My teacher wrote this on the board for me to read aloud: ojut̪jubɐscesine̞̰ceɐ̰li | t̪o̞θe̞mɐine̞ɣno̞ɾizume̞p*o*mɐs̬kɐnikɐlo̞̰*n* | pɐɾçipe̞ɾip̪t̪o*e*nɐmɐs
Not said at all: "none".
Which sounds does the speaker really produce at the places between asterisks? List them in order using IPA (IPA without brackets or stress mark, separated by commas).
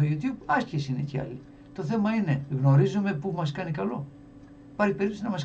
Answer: u, none, i